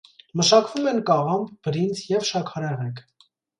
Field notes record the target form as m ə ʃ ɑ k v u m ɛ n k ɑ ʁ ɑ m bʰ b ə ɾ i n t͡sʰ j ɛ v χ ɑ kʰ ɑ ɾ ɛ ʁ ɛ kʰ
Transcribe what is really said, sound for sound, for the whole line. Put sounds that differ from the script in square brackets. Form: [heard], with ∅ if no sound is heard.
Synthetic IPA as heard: m ə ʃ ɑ k v u m ɛ n k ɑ ʁ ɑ m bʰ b ə ɾ i n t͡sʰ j ɛ v [ʃ] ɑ kʰ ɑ ɾ ɛ ʁ ɛ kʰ